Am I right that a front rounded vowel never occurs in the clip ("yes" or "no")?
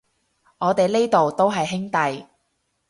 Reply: yes